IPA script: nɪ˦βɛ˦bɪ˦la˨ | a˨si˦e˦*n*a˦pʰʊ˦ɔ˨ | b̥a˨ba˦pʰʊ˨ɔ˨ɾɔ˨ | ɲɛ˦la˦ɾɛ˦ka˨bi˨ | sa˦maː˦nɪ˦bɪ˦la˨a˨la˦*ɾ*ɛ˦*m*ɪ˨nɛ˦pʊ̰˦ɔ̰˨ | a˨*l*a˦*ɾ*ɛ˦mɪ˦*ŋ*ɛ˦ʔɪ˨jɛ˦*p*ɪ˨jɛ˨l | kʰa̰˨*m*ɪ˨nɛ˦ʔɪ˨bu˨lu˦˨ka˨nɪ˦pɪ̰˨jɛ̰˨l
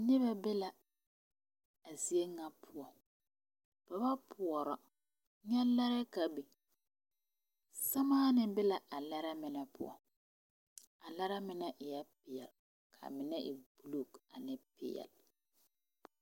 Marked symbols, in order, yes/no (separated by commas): no, yes, yes, yes, yes, no, yes, yes